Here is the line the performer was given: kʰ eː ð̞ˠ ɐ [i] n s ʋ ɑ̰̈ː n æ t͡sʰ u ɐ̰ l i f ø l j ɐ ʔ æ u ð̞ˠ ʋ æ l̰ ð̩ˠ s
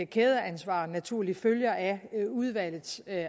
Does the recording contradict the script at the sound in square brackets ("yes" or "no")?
yes